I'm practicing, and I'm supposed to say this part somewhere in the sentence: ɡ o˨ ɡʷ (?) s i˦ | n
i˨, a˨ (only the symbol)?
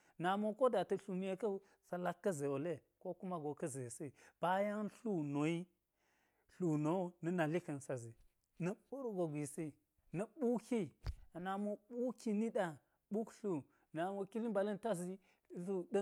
i˨